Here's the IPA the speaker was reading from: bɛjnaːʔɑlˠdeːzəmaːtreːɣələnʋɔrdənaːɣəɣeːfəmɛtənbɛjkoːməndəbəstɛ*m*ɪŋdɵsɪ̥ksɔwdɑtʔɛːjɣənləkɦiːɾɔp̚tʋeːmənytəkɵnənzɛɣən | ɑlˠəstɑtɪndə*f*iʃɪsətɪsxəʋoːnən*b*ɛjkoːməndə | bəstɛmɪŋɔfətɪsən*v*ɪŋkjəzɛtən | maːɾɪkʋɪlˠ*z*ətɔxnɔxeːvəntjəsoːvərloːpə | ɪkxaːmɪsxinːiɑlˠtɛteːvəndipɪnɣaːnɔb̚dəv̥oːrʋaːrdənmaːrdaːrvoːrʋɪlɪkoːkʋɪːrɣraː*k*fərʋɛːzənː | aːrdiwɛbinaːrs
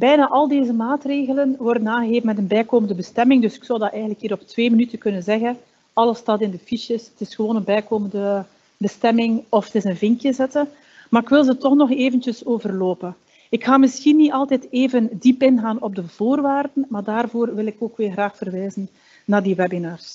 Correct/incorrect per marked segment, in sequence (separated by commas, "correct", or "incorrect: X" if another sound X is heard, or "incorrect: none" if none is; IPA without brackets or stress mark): correct, correct, correct, correct, correct, incorrect: x